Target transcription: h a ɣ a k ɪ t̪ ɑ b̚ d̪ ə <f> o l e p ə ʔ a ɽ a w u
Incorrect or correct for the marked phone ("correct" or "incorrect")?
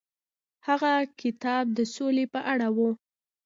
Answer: incorrect